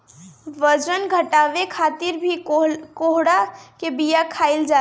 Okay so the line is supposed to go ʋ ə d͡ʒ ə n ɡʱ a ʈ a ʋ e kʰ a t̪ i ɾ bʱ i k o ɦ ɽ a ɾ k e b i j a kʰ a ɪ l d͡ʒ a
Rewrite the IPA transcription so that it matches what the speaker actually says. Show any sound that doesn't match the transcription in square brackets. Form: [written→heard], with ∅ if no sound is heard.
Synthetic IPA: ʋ ə d͡ʒ ə n ɡʱ [a→ə] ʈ a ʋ e kʰ a t̪ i ɾ bʱ i k o ɦ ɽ a [ɾ→∅] k e b i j a kʰ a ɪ l d͡ʒ a